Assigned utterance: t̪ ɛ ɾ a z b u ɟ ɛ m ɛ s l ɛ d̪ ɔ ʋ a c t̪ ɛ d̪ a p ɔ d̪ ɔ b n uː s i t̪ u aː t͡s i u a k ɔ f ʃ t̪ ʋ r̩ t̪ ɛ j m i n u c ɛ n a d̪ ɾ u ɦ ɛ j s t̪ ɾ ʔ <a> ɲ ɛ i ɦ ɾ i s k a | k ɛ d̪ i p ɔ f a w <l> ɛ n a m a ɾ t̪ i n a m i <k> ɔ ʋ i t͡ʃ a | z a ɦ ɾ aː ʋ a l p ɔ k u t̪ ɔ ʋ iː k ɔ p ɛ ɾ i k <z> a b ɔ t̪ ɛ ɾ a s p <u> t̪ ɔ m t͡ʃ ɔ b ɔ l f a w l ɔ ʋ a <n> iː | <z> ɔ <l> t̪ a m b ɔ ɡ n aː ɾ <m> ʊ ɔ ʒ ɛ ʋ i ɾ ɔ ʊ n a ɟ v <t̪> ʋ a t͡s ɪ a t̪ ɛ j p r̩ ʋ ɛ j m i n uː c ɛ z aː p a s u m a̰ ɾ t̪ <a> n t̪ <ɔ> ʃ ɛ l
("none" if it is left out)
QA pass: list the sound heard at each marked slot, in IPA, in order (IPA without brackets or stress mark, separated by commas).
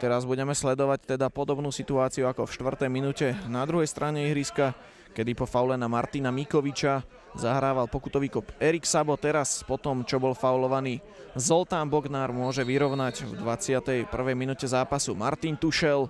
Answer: a, l, k, s, ɔ, n, z, l, m, d̪, i, u